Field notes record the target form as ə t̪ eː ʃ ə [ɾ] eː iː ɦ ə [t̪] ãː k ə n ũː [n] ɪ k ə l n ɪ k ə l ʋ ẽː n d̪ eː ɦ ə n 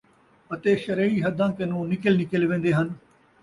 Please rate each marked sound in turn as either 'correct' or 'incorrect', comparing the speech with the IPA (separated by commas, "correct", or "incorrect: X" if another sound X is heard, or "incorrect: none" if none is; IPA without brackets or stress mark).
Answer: correct, incorrect: d̪, correct